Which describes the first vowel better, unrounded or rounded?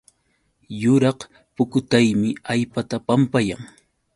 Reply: rounded